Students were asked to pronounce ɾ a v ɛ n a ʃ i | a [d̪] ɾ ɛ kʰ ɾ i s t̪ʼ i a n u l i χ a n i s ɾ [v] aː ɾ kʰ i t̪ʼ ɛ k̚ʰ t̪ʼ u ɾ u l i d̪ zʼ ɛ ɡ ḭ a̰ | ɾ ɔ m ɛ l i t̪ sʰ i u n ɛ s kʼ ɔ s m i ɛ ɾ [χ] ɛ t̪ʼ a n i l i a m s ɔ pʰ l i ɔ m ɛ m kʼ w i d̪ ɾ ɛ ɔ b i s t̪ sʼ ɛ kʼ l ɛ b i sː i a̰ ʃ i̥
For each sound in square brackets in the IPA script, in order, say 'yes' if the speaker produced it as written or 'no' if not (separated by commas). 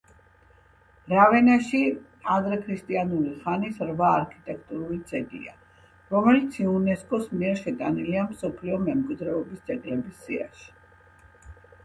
yes, yes, no